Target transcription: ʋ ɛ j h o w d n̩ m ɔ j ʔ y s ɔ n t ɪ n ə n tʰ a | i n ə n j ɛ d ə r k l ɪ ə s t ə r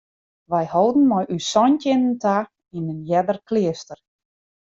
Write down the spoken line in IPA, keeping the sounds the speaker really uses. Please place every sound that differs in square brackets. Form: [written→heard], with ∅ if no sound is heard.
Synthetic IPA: ʋ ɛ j h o w d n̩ m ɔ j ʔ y s ɔ n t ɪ n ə n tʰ a | i n ə n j ɛ d ə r k l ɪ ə s t ə r